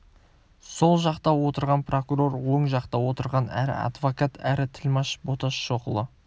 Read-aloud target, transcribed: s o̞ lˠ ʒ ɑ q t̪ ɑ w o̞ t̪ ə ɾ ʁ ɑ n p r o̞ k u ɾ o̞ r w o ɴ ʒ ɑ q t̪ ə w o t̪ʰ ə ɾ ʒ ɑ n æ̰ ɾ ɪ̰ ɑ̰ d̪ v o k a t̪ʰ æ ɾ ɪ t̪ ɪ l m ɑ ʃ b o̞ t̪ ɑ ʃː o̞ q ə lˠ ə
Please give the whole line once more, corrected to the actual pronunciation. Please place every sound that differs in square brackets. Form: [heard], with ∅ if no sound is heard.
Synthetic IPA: s o̞ lˠ ʒ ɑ q t̪ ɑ w o̞ t̪ ə ɾ ʁ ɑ n p r o̞ k u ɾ o̞ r w o ɴ ʒ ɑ q t̪ [ɑ] w o [t̪] ə ɾ [ʁ] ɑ n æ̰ ɾ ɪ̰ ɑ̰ d̪ v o k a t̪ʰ æ ɾ ɪ [t̪ʰ] ɪ l m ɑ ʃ b o̞ t̪ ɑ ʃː o̞ q ə lˠ ə

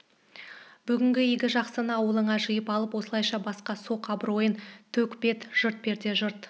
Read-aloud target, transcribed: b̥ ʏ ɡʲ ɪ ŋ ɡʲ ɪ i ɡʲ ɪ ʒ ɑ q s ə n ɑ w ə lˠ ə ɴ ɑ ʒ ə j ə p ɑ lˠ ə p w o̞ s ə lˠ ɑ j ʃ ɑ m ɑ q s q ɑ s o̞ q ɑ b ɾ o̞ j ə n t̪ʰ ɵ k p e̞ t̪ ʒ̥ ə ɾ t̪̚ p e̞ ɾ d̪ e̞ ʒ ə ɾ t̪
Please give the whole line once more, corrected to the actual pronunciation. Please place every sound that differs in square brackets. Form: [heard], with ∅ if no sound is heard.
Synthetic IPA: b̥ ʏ ɡʲ ɪ ŋ ɡʲ ɪ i ɡʲ ɪ ʒ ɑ q s ə n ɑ w ə lˠ ə ɴ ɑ ʒ ə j ə p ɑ lˠ ə p w o̞ s ə lˠ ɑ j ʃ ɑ [b] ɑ [∅] s q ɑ s o̞ q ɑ b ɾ o̞ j ə n t̪ʰ ɵ k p e̞ t̪ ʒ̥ ə ɾ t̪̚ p e̞ ɾ d̪ e̞ ʒ ə ɾ t̪

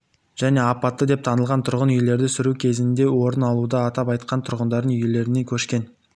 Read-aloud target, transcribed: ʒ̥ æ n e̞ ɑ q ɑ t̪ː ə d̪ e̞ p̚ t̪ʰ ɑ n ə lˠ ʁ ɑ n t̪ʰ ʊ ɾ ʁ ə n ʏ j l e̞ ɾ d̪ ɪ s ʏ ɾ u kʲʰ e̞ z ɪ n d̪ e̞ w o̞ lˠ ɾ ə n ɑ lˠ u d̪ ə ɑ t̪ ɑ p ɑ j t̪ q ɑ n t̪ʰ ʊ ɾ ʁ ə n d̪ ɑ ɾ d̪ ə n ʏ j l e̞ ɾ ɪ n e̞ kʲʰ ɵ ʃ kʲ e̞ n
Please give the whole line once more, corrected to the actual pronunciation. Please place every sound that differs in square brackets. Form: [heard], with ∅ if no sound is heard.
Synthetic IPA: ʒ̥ æ n e̞ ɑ [p] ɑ t̪ː ə d̪ e̞ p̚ t̪ʰ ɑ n ə lˠ ʁ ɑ n t̪ʰ ʊ ɾ ʁ ə n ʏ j l e̞ ɾ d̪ ɪ s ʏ ɾ u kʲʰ e̞ z ɪ n d̪ e̞ w o̞ [∅] ɾ ə n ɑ lˠ u d̪ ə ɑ t̪ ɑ p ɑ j t̪ q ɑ n t̪ʰ ʊ ɾ ʁ ə n d̪ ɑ ɾ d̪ ə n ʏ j l e̞ ɾ ɪ n e̞ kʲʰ ɵ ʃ kʲ e̞ n

